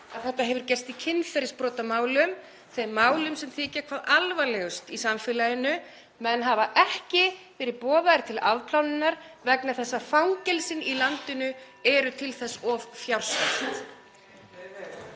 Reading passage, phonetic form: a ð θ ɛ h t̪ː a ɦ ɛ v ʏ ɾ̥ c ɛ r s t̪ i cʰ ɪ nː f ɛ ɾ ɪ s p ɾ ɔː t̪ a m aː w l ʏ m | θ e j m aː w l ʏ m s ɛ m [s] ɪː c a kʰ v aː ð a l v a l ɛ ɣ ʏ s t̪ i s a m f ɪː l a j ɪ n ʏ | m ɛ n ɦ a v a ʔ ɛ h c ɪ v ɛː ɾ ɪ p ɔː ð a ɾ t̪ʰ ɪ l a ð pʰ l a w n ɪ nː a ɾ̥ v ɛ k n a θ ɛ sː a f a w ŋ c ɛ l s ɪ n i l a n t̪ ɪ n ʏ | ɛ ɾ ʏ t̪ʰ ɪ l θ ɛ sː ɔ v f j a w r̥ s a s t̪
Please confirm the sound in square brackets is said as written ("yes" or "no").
no